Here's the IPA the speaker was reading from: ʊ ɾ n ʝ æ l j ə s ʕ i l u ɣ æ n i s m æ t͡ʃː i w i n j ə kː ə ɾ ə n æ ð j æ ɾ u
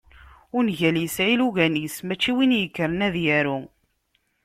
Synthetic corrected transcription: ʊ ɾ n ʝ æ l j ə s ʕ i l u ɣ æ n i s m æ t͡ʃː i w i n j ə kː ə ɾ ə n æ ð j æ ɾ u